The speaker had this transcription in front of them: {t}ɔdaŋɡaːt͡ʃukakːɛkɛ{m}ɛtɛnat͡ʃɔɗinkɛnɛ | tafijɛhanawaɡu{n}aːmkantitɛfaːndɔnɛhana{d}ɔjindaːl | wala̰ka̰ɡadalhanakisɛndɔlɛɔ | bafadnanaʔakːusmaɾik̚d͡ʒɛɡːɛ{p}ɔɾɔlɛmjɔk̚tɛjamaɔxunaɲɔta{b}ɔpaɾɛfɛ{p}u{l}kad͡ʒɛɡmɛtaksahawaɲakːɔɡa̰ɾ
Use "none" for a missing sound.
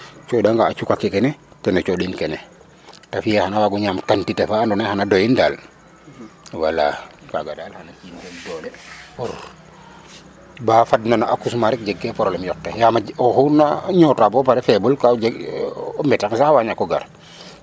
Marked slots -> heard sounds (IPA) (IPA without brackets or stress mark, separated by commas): t͡ʃ, n, ɲ, d, p, b, b, l